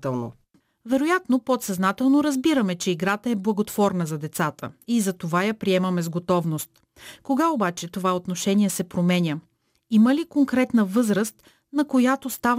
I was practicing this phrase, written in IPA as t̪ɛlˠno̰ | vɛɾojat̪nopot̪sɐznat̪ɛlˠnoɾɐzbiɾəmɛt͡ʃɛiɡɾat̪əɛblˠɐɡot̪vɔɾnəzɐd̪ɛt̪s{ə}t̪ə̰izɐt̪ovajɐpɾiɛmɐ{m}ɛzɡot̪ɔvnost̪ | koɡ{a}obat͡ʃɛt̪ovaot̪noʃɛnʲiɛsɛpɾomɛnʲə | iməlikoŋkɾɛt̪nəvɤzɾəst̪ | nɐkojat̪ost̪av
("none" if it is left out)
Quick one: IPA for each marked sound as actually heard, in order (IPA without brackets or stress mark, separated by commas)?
a, m, a